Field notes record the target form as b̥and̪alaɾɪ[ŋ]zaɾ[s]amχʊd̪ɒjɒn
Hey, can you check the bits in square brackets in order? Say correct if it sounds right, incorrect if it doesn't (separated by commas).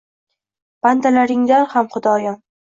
correct, incorrect